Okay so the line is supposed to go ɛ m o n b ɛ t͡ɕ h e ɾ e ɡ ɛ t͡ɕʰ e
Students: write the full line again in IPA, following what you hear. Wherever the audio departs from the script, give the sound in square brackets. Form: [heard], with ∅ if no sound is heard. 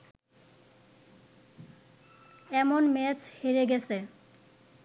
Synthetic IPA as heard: ɛ m o n [m] ɛ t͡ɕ h e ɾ e ɡ ɛ t͡ɕʰ e